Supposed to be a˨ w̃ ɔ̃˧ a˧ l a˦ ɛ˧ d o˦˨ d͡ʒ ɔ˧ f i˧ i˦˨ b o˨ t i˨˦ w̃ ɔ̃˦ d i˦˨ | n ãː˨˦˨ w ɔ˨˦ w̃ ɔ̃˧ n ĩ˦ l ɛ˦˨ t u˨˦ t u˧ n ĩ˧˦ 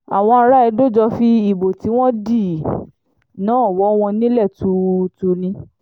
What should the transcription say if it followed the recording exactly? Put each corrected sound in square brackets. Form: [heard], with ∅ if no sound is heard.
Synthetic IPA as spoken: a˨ w̃ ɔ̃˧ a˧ [ɾ] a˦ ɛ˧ d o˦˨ d͡ʒ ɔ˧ f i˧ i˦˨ b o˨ t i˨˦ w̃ ɔ̃˦ d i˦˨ | n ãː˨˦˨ w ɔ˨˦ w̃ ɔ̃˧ n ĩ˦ l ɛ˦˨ t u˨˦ t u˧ n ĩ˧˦